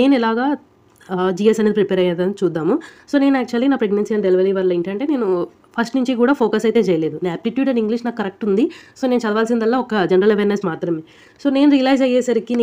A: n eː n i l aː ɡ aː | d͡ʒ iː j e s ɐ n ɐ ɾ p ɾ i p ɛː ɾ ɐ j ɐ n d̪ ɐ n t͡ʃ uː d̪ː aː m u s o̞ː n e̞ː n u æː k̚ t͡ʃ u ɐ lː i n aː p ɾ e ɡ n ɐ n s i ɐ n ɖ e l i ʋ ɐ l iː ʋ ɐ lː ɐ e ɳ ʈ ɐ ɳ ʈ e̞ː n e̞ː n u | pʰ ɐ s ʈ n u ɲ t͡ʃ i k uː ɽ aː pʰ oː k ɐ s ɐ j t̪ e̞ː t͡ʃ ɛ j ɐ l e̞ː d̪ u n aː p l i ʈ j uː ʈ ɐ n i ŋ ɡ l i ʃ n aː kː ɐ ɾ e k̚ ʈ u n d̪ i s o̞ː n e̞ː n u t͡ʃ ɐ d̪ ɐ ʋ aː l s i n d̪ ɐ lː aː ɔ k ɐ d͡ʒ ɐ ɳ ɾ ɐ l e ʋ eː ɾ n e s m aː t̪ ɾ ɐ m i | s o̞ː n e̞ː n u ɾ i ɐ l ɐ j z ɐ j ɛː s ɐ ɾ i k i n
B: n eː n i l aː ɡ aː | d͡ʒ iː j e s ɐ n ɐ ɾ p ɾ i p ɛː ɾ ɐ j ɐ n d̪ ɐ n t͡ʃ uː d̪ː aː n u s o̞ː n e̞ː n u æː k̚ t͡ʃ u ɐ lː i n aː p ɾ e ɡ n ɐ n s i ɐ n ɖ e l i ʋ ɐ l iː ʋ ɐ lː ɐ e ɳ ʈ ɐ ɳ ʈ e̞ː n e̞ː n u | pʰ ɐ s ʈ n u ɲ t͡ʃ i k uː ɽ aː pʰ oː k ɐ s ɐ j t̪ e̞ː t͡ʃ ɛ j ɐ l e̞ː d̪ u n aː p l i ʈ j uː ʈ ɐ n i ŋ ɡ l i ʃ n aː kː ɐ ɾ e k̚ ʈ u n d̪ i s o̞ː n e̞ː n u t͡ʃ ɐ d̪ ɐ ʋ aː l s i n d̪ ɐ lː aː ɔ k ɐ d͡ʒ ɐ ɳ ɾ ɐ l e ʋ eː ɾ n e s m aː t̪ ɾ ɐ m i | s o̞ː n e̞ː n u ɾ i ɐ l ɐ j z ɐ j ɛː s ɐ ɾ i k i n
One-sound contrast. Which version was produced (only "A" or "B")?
A